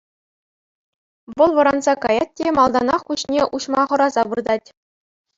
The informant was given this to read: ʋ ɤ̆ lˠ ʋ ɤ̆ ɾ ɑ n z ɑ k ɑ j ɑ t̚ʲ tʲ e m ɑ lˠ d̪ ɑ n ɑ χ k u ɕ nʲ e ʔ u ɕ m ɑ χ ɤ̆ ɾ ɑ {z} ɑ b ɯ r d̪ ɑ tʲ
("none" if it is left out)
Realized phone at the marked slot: z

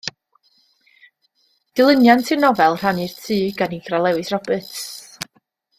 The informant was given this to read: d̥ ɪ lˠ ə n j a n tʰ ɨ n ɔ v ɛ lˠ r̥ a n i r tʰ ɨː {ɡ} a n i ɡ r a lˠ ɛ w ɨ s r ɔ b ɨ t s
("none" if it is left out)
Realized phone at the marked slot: ɡ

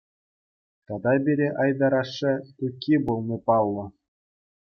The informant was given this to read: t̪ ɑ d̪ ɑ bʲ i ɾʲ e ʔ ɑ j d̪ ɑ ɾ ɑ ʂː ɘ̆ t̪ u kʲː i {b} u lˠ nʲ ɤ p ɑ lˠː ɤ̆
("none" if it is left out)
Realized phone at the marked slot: b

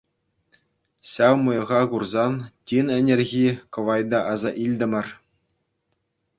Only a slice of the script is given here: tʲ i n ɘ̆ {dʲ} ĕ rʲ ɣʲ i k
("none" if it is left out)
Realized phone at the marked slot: nʲ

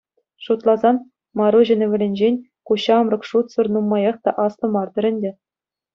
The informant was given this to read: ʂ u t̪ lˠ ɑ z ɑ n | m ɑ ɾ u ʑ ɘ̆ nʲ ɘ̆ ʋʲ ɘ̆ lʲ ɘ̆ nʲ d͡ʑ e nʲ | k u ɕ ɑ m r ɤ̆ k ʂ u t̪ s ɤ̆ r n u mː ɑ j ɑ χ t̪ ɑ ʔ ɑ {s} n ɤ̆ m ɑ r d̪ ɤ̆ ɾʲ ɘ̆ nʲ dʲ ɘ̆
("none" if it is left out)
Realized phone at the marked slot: s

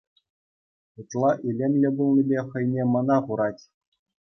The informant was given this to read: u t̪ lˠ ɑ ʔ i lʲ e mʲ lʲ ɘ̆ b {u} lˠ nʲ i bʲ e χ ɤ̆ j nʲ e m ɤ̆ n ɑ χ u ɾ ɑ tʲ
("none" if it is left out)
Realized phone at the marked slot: u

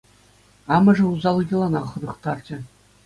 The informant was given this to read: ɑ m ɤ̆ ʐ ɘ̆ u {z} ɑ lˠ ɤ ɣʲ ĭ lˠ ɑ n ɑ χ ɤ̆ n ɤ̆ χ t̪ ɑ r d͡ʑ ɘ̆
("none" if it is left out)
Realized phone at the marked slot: z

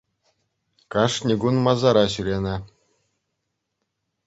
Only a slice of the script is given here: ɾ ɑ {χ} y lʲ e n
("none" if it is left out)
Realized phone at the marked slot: ɕ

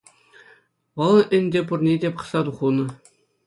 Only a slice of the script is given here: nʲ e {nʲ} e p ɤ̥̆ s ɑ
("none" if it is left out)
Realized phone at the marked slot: dʲ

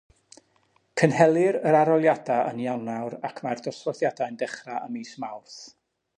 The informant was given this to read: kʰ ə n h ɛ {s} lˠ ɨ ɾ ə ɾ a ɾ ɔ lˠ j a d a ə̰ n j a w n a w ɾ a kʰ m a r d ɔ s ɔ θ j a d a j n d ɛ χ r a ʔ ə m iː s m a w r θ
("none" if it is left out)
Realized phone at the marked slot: none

